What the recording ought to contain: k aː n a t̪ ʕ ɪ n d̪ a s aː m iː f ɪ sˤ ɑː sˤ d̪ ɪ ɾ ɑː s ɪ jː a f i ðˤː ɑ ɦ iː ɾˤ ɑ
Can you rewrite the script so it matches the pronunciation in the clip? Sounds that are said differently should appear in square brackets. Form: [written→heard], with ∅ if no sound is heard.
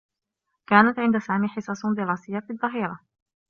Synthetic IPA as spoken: k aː n a t̪ ʕ ɪ n d̪ a s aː m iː [f→ħ] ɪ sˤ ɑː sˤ d̪ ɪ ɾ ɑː s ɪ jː a f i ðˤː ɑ ɦ iː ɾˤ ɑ